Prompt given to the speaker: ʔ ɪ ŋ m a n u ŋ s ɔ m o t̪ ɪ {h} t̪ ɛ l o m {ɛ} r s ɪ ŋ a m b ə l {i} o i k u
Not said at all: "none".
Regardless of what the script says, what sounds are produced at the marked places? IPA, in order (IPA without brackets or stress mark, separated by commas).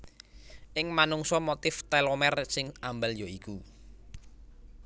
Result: f, ɛ, j